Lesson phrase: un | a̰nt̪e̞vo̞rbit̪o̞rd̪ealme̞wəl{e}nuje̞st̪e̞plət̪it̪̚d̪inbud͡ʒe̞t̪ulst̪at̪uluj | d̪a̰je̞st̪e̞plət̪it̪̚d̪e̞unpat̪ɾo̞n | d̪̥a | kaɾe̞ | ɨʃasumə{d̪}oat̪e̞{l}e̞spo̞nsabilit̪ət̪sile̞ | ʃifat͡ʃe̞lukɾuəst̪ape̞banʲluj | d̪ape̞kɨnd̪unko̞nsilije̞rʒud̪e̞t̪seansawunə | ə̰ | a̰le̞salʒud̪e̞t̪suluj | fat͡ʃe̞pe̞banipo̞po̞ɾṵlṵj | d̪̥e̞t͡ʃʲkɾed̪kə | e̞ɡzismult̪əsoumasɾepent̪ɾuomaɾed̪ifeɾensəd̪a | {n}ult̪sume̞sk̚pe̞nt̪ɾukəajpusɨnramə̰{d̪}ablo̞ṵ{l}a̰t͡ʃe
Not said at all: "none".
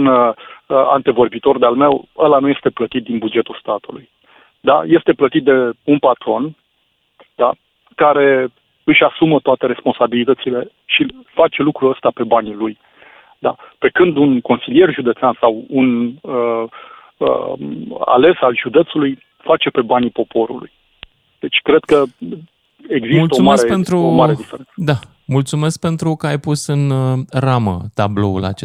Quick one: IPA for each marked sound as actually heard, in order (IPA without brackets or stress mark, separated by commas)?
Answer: a, t̪, ɾ, m, t̪, l